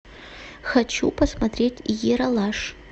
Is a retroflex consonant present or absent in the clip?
present